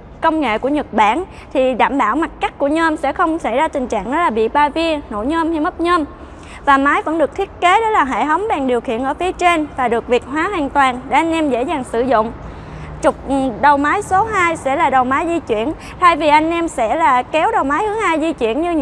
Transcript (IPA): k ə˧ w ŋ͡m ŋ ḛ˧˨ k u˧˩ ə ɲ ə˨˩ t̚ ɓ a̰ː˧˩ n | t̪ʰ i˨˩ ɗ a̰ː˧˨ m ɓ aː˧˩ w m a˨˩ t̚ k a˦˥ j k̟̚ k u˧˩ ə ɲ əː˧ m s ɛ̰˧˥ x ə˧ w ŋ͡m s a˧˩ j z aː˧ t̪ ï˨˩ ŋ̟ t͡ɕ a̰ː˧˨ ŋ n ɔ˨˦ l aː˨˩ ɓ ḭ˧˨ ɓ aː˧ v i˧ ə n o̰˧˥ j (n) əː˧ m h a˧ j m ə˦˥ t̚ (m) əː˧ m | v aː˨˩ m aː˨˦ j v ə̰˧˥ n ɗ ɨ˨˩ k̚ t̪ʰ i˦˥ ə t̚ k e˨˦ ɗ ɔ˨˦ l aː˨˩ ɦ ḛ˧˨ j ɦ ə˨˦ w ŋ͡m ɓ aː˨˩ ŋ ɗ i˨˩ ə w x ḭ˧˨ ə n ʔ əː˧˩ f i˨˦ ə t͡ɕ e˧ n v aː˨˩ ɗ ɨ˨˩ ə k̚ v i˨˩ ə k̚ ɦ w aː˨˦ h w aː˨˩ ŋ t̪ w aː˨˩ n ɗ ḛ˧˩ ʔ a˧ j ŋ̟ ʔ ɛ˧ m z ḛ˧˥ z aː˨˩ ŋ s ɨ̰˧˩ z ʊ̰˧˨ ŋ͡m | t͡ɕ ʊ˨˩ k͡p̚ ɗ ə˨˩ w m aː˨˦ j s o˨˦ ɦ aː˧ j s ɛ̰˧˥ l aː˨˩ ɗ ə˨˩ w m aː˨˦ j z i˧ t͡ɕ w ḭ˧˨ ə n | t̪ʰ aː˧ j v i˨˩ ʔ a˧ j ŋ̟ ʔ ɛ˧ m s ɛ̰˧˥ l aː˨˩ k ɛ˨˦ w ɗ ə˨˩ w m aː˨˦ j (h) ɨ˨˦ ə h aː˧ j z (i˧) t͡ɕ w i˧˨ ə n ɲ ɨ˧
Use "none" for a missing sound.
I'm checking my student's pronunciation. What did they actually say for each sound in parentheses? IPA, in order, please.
ɲ, ɲ, h, i˧

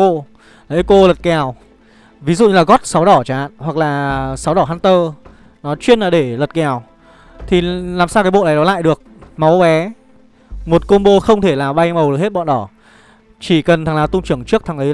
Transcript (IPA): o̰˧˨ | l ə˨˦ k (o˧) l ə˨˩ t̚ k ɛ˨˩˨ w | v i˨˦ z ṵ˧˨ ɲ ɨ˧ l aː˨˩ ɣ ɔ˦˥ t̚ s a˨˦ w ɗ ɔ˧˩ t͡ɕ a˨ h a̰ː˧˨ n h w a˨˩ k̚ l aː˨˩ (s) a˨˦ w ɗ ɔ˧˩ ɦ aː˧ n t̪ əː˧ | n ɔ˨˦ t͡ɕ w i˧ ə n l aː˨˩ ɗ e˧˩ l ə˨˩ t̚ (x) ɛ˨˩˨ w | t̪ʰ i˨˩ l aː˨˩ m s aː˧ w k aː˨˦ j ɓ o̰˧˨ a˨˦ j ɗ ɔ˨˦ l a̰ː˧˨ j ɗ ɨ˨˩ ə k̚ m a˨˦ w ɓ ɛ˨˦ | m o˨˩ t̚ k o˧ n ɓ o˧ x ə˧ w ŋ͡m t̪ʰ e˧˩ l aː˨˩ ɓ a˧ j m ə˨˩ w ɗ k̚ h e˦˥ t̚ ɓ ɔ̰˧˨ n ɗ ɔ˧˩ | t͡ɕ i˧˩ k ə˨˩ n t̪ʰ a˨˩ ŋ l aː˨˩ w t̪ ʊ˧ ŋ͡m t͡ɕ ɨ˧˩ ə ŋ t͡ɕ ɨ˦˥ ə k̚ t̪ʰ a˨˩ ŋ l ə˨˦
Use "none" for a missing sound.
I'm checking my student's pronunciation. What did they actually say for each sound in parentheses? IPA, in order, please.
o˧, s, k

